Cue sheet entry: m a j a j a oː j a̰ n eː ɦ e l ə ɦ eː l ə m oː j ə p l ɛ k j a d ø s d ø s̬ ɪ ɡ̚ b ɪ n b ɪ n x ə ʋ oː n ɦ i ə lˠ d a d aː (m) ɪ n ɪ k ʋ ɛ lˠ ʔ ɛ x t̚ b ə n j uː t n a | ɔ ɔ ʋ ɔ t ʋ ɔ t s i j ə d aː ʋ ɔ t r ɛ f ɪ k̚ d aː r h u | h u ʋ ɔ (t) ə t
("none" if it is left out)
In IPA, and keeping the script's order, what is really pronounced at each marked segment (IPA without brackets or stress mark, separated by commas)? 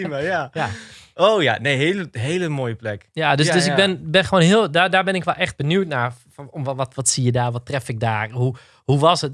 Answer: b, s